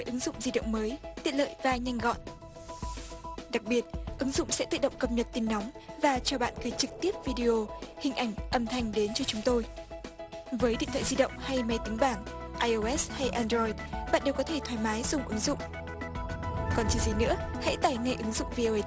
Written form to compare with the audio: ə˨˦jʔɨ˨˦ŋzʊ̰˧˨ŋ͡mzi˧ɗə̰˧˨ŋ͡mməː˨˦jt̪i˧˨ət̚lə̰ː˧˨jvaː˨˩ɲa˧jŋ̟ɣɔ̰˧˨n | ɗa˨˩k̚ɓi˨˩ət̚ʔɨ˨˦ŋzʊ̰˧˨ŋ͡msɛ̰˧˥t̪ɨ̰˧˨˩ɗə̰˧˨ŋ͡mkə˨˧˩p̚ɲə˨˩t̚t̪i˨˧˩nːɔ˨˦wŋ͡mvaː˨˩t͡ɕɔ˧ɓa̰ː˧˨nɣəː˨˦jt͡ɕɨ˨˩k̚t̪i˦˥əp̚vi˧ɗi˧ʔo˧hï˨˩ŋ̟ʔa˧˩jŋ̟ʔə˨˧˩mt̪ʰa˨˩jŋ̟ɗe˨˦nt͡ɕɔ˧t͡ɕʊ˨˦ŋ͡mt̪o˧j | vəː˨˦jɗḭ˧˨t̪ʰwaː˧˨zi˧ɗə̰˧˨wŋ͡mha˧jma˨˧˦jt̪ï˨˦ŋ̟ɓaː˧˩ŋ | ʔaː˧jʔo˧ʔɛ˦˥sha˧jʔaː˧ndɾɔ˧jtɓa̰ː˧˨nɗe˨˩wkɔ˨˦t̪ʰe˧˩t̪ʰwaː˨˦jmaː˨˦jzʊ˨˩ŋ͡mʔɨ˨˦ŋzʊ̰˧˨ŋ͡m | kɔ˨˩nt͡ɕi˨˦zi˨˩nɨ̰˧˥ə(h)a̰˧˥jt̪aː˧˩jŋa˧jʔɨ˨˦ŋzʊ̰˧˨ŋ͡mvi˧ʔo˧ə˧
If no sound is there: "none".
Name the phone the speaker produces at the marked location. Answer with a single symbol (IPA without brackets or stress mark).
h